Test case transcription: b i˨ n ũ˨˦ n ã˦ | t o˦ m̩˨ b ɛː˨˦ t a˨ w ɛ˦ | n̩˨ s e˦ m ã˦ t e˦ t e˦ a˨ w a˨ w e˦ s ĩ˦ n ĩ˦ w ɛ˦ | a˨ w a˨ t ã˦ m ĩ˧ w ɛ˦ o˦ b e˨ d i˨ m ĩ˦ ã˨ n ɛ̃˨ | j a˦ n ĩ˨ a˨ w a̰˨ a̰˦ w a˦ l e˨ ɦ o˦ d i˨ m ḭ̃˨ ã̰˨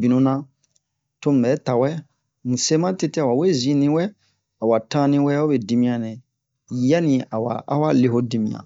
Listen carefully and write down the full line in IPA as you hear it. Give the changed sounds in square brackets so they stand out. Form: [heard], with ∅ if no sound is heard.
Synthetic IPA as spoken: b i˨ n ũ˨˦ n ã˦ | t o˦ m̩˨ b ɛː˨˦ t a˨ w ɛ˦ | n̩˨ s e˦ m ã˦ t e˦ t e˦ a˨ w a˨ w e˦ [z] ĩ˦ n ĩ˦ w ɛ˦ | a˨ w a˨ t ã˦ [n] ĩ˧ w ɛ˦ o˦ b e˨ d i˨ m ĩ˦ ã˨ n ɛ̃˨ | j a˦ n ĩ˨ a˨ w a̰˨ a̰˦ w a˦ l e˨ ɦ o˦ d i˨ m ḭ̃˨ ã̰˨

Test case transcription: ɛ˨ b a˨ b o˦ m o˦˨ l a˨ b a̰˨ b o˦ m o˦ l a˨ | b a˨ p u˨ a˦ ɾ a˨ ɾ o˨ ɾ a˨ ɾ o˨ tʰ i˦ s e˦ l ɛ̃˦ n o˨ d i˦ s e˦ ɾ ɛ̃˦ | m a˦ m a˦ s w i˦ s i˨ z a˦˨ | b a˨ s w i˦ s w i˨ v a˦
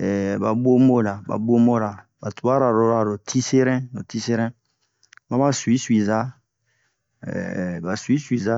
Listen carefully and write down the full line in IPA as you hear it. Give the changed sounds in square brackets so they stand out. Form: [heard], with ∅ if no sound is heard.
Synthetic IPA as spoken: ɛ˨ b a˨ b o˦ m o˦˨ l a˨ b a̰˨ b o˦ m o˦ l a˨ | b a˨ [t] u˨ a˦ ɾ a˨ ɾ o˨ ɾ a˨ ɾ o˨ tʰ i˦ s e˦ [ɾ] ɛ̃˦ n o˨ [t] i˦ s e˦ ɾ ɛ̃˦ | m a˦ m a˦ s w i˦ s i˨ z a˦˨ | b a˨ s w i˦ s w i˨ [z] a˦

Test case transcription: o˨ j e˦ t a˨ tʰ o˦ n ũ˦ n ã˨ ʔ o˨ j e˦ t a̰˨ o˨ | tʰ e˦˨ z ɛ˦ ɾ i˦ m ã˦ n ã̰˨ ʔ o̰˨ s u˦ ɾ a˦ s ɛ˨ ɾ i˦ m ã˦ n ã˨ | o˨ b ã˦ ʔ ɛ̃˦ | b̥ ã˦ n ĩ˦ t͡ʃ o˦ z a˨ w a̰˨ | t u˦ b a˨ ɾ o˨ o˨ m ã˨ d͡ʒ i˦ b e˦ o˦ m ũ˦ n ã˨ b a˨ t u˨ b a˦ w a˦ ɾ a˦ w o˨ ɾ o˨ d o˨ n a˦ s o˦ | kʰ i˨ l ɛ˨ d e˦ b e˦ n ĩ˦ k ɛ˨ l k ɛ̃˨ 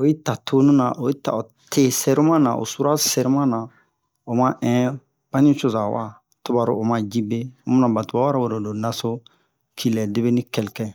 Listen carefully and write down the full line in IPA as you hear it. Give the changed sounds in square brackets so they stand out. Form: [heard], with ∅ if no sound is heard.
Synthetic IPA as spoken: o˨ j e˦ t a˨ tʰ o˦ n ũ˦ n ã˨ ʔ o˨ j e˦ t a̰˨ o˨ | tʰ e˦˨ [s] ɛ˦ ɾ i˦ m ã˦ n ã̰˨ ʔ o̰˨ s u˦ ɾ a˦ s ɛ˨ ɾ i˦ m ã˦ n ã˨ | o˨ [m] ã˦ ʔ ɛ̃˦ | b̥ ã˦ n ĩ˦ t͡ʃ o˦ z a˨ w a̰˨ | t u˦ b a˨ ɾ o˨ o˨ m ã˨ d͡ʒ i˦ b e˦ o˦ m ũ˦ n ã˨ b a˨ t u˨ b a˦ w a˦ ɾ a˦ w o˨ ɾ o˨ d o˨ n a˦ s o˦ | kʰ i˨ l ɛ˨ d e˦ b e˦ n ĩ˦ k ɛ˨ l k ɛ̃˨

